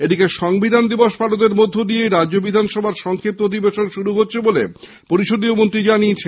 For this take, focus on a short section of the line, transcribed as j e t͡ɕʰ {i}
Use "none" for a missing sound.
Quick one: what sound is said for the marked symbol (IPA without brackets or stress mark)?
e